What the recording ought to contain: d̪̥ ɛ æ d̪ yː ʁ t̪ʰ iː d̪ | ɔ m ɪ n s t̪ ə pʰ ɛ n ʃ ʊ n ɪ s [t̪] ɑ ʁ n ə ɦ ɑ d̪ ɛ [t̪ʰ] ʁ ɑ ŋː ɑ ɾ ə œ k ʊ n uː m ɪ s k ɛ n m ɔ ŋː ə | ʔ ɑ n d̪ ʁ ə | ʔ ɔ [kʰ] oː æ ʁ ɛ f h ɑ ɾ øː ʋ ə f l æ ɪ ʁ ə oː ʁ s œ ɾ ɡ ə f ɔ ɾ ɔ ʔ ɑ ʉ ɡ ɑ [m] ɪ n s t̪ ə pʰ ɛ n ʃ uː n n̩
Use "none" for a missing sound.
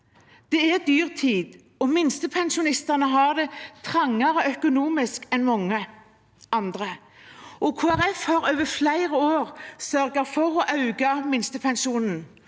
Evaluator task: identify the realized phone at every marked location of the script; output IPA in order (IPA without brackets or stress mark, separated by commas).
t̪, t̪ʰ, kʰ, m